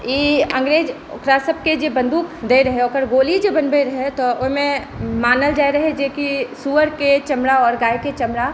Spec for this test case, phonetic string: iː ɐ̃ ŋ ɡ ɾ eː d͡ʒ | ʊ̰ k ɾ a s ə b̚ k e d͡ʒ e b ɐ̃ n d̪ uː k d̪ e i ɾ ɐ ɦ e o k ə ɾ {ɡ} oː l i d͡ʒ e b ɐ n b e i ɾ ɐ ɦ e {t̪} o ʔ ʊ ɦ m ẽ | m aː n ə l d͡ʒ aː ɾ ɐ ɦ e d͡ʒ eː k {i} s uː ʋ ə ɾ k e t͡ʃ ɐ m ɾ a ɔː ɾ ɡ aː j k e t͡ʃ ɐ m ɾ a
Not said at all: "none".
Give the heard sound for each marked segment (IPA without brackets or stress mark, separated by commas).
ɡ, t̪, i